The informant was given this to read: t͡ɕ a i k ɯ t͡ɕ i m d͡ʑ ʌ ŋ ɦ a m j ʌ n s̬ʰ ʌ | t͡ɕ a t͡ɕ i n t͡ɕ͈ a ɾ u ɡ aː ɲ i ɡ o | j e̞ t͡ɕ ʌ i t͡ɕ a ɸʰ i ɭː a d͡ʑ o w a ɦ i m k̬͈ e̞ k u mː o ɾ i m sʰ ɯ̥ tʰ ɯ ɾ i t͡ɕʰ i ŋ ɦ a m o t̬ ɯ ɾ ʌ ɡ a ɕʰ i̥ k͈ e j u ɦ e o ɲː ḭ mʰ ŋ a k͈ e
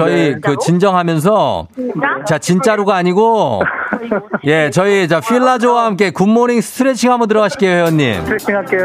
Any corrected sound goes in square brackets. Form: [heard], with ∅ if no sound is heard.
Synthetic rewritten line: t͡ɕ [ʌ] i k ɯ t͡ɕ i [n] d͡ʑ ʌ ŋ ɦ a m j ʌ n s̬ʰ ʌ | t͡ɕ a t͡ɕ i n t͡ɕ͈ a ɾ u ɡ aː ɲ i ɡ o | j e̞ t͡ɕ ʌ i t͡ɕ a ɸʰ i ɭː a d͡ʑ o w a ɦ [a] m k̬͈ e̞ k u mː o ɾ i [ŋ] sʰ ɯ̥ tʰ ɯ ɾ [e] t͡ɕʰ i ŋ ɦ a m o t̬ ɯ ɾ ʌ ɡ a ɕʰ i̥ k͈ e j [o] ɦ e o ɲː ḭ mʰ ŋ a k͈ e